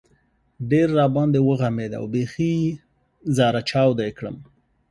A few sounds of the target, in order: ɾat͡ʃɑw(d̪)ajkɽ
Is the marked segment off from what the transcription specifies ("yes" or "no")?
no